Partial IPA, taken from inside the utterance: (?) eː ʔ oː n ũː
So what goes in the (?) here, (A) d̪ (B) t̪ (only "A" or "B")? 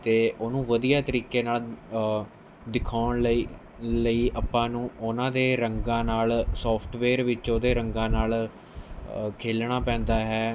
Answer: B